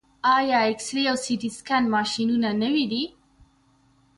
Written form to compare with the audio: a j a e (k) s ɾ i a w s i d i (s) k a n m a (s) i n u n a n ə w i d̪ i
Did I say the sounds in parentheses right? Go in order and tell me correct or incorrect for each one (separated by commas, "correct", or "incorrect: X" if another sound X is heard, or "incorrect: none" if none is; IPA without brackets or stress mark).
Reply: correct, correct, incorrect: ʃ